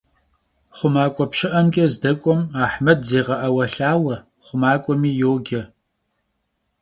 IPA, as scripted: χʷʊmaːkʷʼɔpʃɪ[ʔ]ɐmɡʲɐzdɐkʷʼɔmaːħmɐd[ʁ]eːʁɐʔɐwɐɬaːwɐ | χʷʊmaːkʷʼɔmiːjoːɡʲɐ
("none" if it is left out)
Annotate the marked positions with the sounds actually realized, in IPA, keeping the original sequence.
ʔ, z

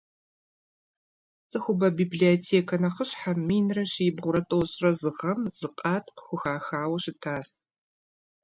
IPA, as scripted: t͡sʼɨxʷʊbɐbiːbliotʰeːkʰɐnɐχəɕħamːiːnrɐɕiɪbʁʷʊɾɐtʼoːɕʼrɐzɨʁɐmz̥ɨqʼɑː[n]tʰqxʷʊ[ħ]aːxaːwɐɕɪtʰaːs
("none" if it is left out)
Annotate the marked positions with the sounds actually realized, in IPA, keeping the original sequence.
none, x

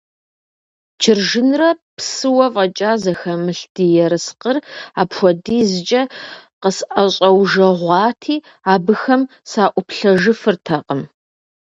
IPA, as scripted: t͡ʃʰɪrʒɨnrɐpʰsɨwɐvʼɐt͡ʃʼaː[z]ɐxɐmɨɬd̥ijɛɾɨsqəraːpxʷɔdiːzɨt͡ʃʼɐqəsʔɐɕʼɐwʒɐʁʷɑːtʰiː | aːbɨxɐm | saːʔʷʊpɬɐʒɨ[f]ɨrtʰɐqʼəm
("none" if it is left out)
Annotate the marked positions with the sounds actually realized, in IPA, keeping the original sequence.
z, f

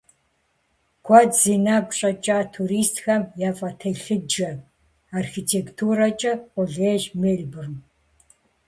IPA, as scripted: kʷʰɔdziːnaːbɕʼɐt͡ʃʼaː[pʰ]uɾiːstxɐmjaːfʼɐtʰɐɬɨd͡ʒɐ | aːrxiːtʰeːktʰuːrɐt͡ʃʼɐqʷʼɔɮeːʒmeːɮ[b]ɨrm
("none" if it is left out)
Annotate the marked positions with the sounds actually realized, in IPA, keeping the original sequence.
tʰ, b

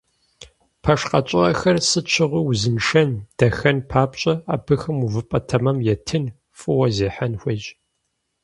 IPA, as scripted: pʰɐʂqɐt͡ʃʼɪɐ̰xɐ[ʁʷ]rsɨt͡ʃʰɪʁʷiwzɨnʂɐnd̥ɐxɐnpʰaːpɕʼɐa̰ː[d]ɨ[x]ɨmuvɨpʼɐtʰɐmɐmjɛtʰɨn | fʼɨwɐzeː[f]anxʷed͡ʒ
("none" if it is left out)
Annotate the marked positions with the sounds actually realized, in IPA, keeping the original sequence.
none, b, x, ħ

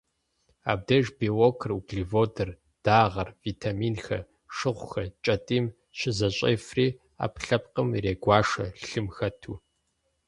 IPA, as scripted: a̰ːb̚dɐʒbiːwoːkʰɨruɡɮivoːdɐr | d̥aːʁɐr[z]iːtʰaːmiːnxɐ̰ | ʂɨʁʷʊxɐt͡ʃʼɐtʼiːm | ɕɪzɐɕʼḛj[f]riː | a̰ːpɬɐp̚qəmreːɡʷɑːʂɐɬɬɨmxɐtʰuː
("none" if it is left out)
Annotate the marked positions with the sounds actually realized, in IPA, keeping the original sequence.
v, f

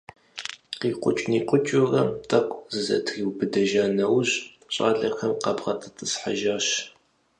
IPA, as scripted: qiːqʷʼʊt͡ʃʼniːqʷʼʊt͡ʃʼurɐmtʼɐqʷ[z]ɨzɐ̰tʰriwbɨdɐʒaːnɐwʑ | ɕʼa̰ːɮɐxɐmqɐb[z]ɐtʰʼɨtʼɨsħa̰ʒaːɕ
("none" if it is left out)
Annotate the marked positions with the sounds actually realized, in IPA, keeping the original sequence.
z, ʁ

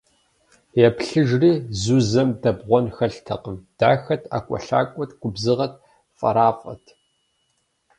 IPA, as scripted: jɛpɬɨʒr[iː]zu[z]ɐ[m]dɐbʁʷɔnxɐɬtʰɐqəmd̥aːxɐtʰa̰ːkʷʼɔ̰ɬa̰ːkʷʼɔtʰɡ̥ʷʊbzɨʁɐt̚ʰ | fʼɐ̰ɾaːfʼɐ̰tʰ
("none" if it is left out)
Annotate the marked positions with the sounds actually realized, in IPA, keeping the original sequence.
iː, z, m

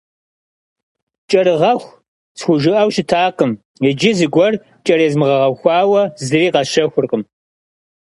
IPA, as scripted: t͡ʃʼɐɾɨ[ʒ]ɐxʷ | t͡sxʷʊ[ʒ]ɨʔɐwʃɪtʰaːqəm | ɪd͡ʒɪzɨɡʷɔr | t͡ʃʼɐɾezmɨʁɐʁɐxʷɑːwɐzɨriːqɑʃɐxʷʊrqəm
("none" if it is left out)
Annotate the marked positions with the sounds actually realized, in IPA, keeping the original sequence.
ʁ, ʒ

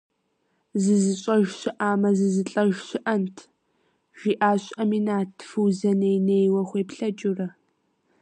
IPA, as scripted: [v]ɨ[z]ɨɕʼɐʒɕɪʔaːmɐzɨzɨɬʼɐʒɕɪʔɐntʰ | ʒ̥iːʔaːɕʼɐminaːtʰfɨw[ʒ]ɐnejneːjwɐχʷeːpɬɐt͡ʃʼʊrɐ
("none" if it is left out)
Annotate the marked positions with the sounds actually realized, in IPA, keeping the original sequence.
z, z, z

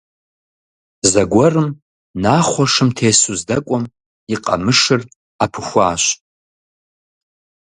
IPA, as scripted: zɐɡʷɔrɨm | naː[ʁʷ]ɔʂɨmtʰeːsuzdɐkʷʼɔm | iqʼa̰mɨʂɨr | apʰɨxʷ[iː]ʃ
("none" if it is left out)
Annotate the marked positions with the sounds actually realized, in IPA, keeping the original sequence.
χʷ, aː

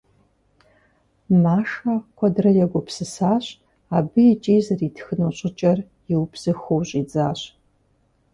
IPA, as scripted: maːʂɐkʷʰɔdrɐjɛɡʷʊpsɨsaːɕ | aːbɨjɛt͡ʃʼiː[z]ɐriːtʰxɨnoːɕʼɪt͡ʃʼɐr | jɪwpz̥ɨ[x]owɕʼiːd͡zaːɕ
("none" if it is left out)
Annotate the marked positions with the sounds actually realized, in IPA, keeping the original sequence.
z, x

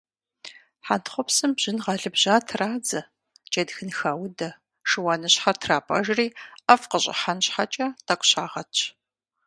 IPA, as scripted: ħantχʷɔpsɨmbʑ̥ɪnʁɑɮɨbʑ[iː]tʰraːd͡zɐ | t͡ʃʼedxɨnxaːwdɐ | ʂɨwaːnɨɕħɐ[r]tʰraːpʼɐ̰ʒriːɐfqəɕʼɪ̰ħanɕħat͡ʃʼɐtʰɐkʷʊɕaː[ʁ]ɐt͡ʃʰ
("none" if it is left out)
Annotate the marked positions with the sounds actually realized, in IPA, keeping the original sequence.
aː, r, ʁ

